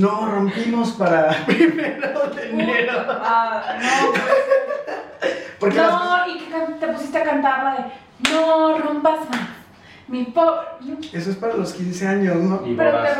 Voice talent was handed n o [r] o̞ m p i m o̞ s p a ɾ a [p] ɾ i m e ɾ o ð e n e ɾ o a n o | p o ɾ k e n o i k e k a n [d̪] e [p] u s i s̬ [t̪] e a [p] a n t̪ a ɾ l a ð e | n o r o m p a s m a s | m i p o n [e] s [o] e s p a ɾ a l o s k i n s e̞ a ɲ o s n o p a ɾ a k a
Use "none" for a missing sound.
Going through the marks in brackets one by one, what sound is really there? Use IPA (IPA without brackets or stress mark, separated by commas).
r, p, t̪, p, t̪, k, e, o